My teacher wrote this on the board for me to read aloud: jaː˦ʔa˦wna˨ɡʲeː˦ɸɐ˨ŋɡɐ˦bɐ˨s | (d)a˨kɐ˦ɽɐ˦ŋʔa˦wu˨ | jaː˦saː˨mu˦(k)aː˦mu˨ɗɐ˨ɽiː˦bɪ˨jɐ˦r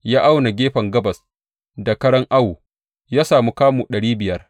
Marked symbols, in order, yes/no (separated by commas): yes, yes